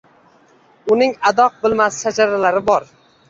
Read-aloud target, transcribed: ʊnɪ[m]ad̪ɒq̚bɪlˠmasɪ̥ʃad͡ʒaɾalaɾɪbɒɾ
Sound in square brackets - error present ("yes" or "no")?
yes